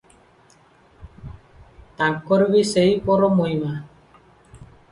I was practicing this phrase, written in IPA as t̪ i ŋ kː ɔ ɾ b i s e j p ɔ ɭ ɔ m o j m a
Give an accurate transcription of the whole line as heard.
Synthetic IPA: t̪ a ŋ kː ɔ ɾ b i s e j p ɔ ɾ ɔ m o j m a